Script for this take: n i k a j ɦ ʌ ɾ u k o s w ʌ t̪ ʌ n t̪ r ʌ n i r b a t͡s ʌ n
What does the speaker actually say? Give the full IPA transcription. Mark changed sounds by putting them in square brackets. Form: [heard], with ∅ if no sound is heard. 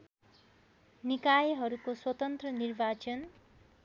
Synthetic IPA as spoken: n i k a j ɦ ʌ ɾ u k o s w ʌ t̪ ʌ n t̪ r ʌ n i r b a t͡s ʌ n